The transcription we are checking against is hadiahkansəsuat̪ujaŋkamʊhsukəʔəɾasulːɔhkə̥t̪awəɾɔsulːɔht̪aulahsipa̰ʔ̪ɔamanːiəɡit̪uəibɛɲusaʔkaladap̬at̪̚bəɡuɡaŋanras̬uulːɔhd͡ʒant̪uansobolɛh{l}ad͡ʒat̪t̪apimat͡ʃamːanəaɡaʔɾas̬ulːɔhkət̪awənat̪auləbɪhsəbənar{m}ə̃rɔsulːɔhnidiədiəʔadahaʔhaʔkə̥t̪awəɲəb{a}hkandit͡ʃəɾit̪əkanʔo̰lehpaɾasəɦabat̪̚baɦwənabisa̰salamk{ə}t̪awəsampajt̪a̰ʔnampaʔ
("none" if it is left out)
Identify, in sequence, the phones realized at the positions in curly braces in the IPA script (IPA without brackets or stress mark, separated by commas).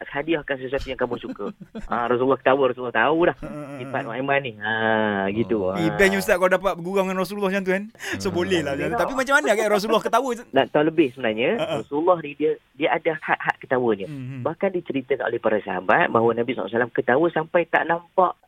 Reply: l, ɲ, a, ə